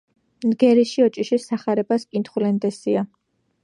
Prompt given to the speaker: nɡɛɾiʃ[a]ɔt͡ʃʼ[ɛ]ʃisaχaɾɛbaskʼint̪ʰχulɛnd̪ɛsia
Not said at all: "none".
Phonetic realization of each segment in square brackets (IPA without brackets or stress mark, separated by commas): i, i